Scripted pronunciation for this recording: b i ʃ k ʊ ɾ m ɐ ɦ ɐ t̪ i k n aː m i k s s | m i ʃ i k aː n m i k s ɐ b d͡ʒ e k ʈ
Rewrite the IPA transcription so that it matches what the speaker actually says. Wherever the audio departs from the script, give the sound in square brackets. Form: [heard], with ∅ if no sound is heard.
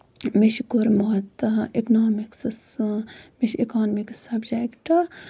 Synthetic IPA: [m] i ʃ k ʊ ɾ m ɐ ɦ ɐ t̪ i k n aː m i k s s | m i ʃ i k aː n m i k s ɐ b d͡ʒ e k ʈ